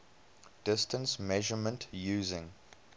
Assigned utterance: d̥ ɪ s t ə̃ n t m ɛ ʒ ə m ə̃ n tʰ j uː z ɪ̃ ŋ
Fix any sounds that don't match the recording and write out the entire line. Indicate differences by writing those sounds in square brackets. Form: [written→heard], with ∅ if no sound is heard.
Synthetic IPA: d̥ ɪ s t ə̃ n [t→s] m ɛ ʒ ə m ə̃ n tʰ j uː z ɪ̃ ŋ